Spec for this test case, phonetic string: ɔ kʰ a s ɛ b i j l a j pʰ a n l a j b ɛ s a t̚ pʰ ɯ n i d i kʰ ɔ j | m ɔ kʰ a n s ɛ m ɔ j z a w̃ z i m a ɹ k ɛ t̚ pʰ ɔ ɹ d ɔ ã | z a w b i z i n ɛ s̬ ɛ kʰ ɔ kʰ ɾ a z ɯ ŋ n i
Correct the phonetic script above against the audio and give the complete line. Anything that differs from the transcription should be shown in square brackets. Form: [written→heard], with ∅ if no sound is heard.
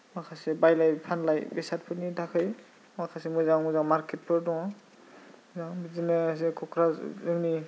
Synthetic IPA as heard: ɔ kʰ a s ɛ b [i→a] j l a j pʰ a n l a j b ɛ s a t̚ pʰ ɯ n i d [i→a] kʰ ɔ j | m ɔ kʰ a [n→∅] s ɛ m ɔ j z a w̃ z [i→a] m a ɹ k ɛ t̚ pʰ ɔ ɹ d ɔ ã | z a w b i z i n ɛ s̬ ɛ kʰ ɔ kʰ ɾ a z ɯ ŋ n i